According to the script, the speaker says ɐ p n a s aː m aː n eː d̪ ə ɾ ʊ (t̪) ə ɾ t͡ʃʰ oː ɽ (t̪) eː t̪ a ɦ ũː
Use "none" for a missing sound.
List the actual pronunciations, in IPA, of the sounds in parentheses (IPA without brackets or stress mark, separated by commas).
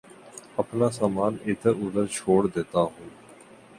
d̪, d̪